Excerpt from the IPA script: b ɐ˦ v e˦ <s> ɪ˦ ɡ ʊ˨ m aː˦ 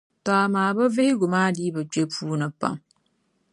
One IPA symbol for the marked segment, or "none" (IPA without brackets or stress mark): h